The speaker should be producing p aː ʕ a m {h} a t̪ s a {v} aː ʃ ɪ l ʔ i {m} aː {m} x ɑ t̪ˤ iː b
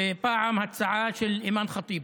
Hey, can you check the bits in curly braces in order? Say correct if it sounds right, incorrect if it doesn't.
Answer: correct, incorrect: ʕ, correct, incorrect: n

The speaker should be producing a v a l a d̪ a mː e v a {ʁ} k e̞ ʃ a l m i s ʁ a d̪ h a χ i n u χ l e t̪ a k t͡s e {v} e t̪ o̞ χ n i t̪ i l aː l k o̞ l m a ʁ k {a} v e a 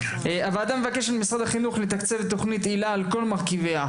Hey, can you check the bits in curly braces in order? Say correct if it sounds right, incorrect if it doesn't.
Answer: incorrect: none, correct, incorrect: i

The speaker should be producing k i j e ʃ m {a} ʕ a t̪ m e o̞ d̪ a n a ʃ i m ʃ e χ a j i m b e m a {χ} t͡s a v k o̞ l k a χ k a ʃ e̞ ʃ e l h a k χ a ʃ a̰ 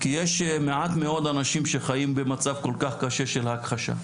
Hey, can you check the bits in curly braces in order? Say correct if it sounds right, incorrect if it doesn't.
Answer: incorrect: e, incorrect: none

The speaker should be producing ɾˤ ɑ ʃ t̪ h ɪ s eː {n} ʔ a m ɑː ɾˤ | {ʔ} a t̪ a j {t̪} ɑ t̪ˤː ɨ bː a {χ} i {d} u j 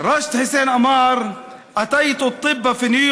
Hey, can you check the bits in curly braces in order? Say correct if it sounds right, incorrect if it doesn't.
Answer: correct, correct, correct, incorrect: f, incorrect: n

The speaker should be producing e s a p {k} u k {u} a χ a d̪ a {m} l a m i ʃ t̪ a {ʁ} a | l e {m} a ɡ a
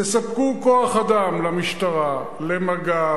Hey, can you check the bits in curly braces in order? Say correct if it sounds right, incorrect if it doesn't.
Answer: correct, incorrect: o, correct, correct, correct

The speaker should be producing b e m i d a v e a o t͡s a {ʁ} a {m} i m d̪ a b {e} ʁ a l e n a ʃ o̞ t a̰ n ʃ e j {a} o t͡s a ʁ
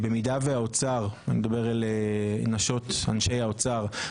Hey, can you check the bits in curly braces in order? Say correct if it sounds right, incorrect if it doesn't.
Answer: correct, incorrect: n, correct, correct

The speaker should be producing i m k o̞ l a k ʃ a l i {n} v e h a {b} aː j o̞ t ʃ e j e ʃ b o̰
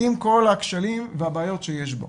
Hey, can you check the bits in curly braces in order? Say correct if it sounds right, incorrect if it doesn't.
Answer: incorrect: m, correct

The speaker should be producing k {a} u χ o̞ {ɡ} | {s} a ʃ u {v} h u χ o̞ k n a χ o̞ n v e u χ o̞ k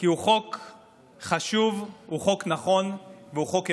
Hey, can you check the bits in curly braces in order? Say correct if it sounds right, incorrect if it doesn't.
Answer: incorrect: i, incorrect: k, incorrect: χ, correct

